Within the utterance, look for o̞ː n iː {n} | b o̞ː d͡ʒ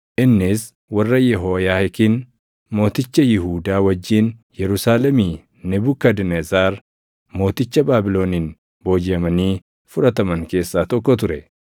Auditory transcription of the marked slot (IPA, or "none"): n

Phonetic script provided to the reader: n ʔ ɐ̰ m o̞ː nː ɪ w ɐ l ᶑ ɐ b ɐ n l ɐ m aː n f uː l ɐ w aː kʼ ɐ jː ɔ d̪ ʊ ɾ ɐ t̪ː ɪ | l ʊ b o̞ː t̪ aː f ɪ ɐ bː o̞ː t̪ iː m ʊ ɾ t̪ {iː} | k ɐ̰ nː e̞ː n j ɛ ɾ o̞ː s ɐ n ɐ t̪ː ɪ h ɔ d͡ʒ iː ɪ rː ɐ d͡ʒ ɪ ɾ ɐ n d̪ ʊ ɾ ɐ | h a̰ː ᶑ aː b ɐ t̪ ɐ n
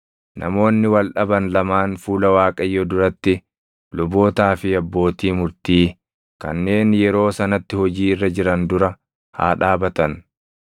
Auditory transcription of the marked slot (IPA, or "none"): iː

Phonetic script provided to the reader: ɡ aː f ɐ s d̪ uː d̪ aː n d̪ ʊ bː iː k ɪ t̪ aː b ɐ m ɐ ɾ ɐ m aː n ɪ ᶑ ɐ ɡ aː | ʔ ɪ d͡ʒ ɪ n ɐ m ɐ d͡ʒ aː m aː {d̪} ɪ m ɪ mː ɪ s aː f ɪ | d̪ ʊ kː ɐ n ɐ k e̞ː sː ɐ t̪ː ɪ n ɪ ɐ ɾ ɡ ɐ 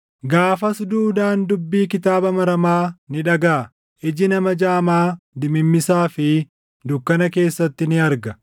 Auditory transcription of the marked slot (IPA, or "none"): d̪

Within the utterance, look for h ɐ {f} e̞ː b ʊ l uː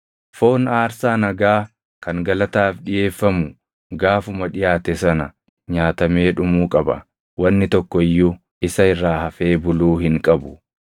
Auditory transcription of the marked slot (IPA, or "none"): f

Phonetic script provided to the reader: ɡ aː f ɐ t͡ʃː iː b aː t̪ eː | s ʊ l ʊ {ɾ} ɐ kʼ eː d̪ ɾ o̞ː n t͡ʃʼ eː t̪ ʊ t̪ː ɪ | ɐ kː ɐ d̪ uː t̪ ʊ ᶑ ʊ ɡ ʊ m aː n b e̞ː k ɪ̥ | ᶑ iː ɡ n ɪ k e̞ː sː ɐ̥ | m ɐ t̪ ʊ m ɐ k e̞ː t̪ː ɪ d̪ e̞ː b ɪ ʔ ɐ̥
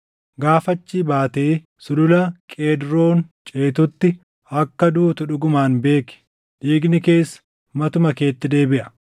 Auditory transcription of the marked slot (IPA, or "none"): l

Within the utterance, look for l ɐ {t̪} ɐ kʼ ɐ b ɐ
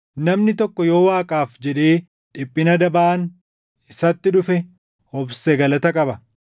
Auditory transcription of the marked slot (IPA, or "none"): t̪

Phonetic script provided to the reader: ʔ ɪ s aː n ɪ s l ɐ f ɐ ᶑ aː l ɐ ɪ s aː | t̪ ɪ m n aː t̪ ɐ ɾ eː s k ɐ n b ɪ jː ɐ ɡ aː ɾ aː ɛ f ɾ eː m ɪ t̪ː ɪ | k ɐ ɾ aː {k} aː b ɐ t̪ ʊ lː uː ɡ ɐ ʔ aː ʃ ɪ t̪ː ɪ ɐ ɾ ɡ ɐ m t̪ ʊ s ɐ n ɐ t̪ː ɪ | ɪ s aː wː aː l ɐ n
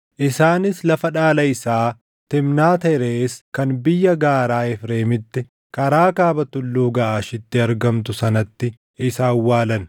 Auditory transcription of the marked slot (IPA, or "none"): k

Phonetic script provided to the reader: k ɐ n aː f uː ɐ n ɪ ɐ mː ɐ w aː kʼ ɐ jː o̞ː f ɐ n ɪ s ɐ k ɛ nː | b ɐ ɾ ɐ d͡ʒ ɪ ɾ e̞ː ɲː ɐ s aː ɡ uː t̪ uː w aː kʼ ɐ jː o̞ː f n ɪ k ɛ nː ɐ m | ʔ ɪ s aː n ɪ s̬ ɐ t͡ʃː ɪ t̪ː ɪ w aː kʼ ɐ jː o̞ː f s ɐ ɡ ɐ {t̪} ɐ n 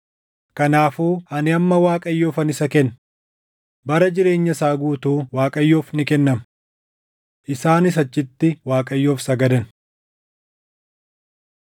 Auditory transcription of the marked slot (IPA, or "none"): d̪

